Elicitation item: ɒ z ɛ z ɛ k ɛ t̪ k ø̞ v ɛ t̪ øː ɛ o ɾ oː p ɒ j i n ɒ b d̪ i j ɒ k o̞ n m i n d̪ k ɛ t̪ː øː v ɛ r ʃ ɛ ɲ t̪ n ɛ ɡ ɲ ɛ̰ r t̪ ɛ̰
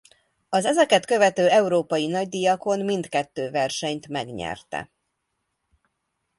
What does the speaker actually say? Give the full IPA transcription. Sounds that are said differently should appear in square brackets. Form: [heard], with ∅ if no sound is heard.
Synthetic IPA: ɒ z ɛ z ɛ k ɛ t̪ k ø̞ v ɛ t̪ øː ɛ [u] ɾ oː p ɒ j i n ɒ [ɟ] d̪ i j ɒ k o̞ n m i n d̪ k ɛ t̪ː øː v ɛ r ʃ ɛ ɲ t̪ [m] ɛ ɡ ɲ ɛ̰ r t̪ ɛ̰